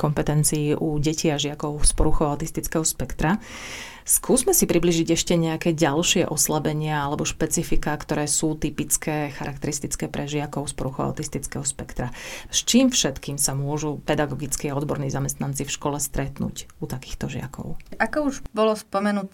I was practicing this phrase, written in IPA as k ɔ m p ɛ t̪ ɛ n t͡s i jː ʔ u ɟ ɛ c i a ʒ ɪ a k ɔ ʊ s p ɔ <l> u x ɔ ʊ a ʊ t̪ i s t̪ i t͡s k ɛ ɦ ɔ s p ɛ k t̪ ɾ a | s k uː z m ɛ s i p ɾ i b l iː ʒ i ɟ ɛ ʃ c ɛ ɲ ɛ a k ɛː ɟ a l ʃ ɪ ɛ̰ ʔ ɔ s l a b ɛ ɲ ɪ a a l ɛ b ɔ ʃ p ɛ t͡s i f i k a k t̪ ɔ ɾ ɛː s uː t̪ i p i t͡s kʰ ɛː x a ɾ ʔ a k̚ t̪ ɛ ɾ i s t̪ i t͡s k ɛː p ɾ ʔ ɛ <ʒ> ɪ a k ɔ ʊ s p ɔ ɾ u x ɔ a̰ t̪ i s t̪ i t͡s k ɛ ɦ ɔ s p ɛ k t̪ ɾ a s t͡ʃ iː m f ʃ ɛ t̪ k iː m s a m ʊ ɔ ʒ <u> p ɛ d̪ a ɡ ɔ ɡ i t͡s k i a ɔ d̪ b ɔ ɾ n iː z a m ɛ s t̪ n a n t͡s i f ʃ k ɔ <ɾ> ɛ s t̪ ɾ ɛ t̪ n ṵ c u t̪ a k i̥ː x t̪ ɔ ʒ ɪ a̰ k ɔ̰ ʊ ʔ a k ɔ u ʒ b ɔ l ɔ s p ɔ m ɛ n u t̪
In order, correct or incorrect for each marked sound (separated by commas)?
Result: incorrect, correct, correct, incorrect